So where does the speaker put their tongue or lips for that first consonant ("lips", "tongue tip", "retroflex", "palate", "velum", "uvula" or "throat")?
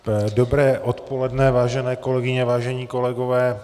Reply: tongue tip